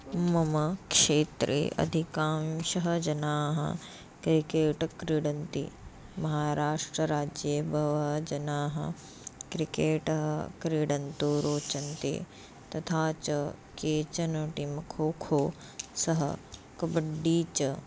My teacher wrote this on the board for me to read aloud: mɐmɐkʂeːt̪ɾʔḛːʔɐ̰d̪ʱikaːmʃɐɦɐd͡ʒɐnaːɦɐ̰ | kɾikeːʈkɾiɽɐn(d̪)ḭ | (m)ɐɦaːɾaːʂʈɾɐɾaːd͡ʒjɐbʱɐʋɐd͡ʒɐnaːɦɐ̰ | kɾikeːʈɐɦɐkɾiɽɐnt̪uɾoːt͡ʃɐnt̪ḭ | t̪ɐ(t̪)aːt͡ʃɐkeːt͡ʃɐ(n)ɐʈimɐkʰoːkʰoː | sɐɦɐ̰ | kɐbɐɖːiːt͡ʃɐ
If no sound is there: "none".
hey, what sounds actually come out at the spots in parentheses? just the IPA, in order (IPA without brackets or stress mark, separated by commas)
t̪, m, t̪ʰ, n